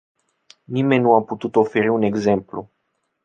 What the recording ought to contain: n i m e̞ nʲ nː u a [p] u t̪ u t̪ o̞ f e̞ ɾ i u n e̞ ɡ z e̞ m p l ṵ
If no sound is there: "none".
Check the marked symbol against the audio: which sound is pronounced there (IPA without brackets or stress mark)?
p